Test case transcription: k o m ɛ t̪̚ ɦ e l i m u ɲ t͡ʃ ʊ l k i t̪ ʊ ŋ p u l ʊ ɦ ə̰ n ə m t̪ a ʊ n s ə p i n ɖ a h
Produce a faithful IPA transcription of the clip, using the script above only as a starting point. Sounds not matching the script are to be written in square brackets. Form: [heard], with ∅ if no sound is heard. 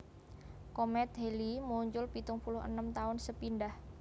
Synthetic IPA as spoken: k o m ɛ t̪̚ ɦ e l i m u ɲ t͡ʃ ʊ l [p] i t̪ ʊ ŋ p u l ʊ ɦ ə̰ n ə m t̪ a ʊ n s ə p i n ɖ a h